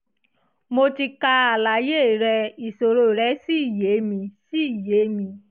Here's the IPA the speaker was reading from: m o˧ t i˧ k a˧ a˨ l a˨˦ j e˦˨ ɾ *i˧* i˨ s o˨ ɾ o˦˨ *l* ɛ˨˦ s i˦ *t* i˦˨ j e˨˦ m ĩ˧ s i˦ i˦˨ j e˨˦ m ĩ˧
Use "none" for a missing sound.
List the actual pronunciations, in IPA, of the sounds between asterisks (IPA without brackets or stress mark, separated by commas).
ɛ˧, ɾ, none